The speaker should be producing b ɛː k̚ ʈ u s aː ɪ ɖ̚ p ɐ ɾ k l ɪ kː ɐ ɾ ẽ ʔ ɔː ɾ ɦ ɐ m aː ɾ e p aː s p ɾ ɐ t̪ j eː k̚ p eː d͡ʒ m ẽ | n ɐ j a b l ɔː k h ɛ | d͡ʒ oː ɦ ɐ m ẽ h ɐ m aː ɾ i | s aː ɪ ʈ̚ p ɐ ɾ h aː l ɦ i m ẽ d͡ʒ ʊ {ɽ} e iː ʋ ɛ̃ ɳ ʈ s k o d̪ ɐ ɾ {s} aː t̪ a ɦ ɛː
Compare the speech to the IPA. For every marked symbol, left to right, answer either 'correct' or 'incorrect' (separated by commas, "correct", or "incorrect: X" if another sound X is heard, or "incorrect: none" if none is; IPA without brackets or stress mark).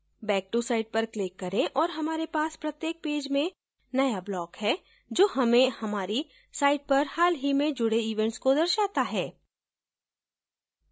correct, incorrect: ʃ